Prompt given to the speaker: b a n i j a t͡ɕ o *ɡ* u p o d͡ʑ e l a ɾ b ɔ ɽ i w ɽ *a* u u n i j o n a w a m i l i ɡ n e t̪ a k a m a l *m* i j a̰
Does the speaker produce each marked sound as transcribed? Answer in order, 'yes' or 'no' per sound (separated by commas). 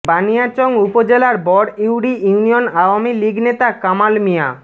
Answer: no, no, yes